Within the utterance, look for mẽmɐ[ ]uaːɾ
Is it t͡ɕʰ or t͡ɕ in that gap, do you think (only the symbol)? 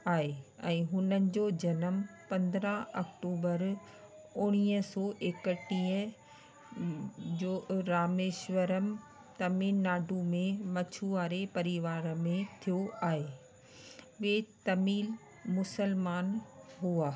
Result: t͡ɕʰ